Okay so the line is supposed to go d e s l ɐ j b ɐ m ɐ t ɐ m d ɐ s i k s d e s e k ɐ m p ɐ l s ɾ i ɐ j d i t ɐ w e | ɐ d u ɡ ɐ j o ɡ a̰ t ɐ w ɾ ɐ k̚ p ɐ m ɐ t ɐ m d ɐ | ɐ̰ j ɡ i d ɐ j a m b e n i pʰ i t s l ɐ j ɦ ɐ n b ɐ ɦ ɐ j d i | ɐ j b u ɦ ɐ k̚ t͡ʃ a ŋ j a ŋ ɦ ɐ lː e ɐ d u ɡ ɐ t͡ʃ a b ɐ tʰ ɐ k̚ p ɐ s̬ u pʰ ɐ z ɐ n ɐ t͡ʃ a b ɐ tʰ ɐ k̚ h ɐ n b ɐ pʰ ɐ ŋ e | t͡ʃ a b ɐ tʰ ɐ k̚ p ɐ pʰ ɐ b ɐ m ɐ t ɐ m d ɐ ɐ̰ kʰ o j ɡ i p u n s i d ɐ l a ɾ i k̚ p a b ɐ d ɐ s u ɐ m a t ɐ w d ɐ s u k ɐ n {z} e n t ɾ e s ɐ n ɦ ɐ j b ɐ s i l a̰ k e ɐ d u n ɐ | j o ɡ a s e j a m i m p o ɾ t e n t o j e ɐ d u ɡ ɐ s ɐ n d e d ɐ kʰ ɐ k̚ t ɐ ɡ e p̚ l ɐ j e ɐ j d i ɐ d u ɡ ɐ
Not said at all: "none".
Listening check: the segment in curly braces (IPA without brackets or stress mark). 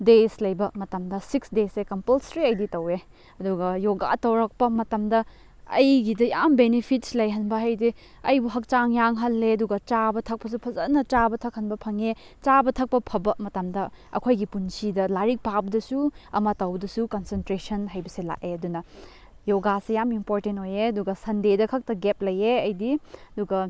s